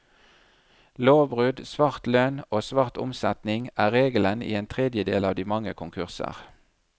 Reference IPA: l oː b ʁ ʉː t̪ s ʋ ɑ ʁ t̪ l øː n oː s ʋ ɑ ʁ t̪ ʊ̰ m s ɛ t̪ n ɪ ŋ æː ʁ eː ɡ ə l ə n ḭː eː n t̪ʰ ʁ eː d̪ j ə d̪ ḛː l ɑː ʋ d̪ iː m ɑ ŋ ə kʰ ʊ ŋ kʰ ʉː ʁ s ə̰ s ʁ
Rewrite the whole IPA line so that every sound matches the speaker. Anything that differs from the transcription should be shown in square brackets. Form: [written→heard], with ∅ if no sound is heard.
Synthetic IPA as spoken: l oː b ʁ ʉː [t̪→d̪] s ʋ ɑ ʁ t̪ l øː n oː s ʋ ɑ ʁ t̪ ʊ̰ m s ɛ t̪ n ɪ ŋ æː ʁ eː ɡ ə l ə n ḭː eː n t̪ʰ ʁ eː d̪ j ə d̪ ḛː l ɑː ʋ d̪ iː m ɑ ŋ ə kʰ ʊ ŋ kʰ [ʉː→ʉ] ʁ s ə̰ [s→∅] ʁ